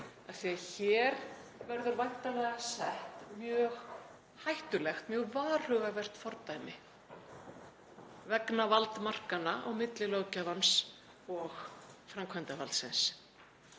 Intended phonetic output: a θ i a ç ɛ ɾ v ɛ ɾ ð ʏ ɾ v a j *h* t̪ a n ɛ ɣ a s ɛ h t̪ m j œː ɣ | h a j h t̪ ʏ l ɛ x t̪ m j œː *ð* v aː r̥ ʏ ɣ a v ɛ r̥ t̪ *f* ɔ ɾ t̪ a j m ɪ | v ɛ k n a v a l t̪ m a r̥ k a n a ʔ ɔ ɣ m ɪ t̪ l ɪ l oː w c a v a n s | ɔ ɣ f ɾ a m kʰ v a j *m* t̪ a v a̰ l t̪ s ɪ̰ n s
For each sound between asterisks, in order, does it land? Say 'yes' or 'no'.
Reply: yes, no, yes, no

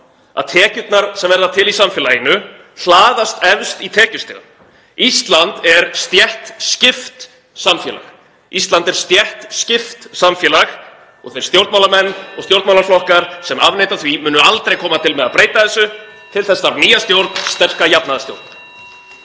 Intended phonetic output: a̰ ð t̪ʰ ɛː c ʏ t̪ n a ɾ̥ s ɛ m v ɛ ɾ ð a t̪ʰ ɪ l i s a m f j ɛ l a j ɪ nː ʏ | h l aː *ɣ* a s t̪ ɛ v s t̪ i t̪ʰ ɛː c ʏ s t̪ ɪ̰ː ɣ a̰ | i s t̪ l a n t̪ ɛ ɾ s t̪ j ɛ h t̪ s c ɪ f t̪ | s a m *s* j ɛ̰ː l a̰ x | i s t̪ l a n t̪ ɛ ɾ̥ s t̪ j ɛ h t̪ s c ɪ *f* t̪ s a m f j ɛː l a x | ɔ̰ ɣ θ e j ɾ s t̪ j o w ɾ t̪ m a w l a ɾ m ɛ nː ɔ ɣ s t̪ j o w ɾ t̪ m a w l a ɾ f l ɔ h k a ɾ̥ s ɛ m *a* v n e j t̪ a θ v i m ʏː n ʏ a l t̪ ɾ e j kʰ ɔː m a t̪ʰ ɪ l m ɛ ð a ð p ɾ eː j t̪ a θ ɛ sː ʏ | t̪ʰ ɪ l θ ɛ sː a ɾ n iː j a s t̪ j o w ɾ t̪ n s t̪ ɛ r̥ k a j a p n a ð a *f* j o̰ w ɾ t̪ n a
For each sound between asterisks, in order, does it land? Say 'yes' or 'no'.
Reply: no, no, yes, yes, no

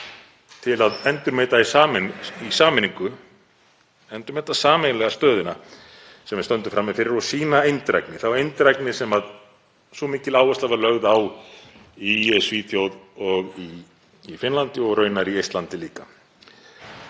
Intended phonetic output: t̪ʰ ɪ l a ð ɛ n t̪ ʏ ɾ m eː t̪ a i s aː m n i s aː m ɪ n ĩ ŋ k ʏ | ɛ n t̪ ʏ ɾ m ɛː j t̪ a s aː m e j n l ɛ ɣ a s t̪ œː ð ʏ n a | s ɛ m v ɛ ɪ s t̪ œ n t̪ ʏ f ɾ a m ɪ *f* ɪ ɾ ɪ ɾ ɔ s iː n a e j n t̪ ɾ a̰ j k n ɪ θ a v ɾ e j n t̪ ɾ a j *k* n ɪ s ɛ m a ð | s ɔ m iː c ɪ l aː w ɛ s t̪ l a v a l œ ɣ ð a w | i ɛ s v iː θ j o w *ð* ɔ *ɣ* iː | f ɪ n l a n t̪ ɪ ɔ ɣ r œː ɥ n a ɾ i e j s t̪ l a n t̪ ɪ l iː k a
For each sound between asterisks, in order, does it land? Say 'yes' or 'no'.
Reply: yes, yes, yes, yes

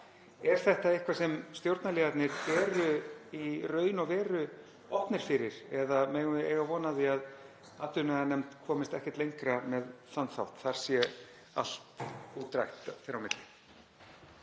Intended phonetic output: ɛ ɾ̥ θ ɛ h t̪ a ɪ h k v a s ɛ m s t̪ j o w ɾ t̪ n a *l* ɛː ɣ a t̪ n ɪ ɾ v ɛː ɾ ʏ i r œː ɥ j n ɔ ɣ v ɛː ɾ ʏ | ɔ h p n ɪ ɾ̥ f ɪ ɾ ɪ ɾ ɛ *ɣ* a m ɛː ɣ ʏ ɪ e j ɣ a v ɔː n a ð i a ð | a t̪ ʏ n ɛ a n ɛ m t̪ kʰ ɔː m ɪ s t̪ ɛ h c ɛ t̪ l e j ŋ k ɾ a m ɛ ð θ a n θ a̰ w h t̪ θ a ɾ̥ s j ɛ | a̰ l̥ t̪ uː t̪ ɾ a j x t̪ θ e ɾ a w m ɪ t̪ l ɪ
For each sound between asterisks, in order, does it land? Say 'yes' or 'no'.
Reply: yes, no

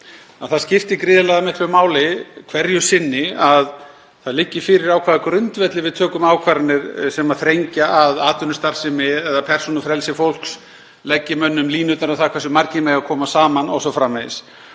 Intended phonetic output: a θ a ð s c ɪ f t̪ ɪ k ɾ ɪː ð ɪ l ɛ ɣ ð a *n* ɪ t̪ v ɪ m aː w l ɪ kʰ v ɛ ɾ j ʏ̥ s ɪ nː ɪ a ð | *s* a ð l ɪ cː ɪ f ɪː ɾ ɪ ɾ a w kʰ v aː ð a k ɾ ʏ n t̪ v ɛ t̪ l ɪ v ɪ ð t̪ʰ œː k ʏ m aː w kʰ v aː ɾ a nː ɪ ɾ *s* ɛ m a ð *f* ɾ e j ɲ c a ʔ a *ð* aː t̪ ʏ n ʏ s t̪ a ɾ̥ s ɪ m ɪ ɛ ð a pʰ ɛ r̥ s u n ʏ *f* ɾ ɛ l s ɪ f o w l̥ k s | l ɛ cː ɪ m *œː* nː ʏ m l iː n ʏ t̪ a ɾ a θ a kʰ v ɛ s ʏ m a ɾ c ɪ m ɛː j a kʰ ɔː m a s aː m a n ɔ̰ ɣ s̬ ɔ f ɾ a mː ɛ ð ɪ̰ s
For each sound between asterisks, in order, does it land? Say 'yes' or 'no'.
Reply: no, no, yes, no, yes, yes, no

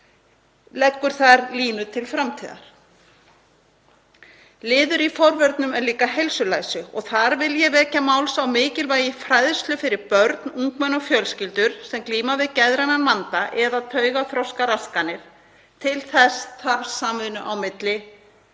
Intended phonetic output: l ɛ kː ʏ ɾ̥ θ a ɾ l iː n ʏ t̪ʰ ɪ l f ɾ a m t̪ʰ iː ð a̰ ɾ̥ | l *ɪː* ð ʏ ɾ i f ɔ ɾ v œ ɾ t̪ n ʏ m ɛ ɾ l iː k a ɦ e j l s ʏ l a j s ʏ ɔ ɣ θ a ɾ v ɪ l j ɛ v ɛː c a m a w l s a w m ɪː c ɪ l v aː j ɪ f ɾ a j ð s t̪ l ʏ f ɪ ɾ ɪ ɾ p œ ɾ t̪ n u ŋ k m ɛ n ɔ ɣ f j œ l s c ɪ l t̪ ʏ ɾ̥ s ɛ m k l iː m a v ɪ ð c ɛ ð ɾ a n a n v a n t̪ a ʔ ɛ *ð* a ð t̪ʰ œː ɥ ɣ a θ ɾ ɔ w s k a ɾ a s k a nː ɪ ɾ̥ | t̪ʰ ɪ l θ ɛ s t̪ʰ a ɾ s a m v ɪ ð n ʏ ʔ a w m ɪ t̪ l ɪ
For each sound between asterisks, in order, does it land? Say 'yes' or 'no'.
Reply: yes, yes

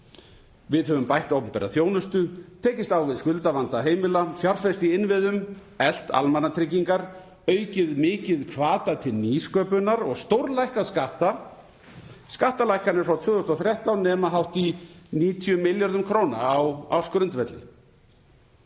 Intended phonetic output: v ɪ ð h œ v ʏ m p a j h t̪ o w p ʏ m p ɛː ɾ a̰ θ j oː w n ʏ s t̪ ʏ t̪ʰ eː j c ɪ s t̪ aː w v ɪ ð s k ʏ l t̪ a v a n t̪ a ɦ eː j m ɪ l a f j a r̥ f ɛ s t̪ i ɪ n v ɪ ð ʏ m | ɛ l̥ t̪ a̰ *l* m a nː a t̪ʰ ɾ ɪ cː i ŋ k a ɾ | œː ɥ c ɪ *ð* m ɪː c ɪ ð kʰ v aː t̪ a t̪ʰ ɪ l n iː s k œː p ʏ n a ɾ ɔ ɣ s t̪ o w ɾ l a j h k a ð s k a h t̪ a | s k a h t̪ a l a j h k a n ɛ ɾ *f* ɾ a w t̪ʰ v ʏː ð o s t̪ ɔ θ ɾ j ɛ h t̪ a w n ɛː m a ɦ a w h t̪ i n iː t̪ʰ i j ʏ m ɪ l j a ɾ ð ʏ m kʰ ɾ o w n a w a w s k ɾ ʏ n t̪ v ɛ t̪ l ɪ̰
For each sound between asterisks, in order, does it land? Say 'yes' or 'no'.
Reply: yes, yes, yes

